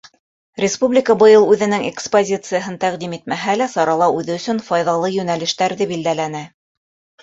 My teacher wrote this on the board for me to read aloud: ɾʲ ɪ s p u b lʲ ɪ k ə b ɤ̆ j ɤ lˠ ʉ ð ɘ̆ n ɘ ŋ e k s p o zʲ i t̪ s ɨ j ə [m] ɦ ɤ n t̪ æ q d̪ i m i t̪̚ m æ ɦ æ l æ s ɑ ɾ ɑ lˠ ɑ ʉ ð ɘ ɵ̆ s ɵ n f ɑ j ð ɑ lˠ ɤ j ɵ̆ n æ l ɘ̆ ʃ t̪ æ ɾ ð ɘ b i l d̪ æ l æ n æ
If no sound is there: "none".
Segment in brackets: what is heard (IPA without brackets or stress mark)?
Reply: none